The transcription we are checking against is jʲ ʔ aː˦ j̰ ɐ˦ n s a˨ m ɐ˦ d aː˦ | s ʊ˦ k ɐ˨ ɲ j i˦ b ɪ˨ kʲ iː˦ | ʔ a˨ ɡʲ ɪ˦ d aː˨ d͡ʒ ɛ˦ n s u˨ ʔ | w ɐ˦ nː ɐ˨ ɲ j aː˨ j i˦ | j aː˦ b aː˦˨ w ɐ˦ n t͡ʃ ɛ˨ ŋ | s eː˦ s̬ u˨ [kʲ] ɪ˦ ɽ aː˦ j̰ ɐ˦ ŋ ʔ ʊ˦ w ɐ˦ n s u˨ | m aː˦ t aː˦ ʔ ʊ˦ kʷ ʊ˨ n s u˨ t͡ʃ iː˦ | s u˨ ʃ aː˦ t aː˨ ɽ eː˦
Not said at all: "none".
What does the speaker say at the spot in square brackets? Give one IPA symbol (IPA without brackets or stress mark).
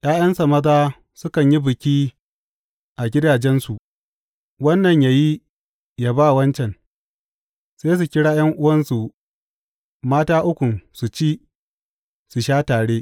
kʲ